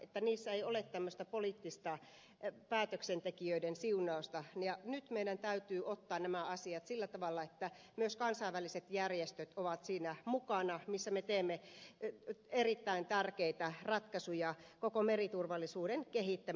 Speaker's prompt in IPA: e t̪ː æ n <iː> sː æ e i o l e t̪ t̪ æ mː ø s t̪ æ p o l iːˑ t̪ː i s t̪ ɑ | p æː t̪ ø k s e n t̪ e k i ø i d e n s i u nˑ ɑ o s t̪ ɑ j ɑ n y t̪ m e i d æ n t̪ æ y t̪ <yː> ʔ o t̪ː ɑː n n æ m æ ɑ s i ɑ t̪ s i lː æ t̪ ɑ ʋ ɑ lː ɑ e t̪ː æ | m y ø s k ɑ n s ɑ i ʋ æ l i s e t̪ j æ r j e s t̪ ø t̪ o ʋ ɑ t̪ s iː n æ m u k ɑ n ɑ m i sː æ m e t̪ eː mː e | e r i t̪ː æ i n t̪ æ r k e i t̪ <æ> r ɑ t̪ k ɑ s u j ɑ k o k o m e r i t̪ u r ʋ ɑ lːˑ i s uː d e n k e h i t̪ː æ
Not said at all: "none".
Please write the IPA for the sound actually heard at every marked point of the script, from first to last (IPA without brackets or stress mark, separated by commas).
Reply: iː, yː, æ